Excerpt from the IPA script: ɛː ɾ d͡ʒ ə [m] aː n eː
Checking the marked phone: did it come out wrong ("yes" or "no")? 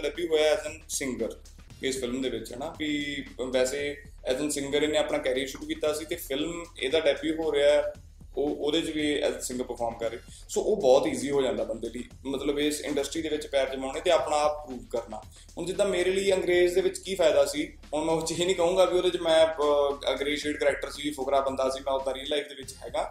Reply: no